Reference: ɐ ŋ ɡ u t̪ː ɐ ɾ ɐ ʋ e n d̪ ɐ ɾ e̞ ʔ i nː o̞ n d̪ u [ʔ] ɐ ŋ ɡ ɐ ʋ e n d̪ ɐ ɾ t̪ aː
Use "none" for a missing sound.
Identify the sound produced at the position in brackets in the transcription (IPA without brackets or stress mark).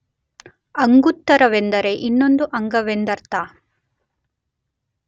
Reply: ʔ